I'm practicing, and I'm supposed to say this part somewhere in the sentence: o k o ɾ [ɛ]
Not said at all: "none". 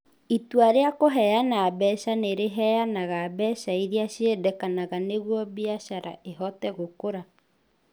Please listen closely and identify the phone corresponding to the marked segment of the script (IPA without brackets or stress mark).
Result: a